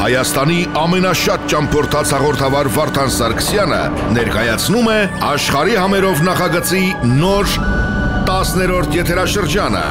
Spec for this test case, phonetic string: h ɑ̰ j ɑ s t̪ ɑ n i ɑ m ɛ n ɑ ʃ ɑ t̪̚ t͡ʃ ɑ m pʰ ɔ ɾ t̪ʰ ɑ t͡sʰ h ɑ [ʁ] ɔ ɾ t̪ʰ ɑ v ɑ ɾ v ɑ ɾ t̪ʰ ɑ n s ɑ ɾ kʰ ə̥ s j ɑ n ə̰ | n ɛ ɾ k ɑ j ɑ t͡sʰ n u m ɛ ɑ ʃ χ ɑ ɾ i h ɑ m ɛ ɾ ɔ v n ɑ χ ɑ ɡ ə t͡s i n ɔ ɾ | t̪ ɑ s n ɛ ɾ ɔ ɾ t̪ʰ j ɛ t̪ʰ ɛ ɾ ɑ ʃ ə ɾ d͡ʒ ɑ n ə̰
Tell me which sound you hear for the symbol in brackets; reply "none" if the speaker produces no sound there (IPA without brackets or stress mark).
ʁ